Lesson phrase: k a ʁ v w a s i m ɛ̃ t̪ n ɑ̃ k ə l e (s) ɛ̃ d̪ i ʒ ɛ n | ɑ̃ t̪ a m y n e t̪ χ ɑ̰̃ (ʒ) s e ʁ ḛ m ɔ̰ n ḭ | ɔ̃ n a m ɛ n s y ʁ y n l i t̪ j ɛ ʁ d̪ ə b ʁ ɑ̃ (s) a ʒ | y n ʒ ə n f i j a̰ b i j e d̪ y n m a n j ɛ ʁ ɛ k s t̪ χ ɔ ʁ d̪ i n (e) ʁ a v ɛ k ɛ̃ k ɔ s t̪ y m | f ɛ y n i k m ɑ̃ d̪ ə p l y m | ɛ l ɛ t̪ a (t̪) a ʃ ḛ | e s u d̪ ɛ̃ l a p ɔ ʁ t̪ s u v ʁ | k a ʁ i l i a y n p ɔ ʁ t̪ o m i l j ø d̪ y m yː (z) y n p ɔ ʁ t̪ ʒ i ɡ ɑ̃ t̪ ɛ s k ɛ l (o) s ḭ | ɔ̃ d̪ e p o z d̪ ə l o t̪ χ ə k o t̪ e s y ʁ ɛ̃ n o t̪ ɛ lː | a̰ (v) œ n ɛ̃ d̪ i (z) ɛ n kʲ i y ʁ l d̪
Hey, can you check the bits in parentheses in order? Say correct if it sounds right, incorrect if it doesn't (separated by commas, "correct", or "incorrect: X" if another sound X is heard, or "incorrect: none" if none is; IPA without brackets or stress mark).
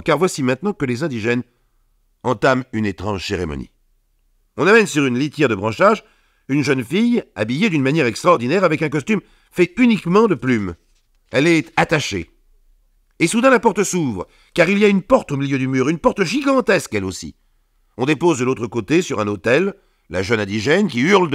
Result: incorrect: z, correct, incorrect: ʃ, incorrect: ɛ, correct, incorrect: ʁ, correct, incorrect: ʒ, incorrect: ʒ